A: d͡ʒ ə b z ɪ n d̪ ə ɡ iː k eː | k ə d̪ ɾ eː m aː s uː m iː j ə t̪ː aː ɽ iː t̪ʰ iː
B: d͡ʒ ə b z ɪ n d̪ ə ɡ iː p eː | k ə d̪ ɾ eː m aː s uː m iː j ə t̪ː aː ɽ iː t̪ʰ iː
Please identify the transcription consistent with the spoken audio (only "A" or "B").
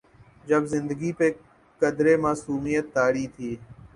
B